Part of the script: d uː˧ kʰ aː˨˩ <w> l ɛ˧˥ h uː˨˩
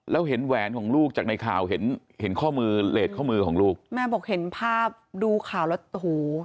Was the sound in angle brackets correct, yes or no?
yes